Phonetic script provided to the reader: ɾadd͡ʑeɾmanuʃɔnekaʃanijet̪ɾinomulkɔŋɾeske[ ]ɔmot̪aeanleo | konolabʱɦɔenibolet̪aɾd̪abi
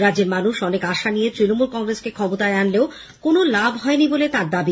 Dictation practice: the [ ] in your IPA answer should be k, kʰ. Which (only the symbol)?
kʰ